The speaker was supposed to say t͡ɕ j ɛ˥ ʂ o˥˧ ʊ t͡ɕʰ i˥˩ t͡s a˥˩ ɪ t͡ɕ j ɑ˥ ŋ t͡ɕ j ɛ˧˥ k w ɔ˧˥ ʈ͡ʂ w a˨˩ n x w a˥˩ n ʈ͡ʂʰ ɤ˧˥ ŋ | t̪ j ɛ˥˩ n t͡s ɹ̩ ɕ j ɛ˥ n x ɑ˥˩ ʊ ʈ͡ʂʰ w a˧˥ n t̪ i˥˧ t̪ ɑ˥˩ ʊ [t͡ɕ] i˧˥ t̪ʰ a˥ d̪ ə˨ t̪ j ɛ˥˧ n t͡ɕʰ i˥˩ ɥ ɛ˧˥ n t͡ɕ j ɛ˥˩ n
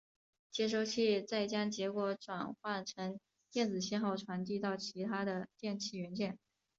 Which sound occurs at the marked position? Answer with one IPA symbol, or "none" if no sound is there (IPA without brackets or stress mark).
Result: t͡ɕʰ